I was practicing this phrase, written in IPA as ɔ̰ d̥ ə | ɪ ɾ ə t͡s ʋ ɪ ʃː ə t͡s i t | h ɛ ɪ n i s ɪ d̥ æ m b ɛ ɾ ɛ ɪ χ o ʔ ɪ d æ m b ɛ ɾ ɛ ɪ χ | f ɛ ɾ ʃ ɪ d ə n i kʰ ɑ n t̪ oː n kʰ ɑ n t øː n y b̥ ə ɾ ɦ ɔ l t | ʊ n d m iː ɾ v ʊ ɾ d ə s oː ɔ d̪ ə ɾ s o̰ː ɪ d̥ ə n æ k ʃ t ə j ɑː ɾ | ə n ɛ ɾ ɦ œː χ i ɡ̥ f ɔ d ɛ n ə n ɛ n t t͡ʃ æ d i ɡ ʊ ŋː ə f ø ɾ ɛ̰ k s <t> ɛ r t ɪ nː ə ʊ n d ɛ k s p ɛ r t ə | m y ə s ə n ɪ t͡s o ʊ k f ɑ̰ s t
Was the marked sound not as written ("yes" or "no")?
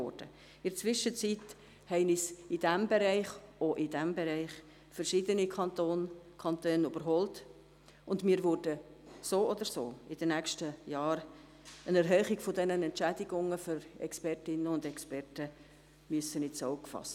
yes